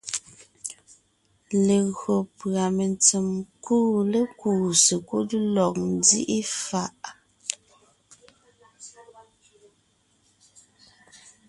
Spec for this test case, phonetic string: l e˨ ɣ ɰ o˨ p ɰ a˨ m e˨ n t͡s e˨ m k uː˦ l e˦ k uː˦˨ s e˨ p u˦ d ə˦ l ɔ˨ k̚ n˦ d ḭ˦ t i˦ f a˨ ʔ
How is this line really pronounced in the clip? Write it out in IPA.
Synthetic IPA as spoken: l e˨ ɣ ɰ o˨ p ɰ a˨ m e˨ n t͡s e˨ m k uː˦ l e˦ k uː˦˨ s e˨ k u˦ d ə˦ l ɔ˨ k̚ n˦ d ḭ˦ ʔ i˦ f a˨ ʔ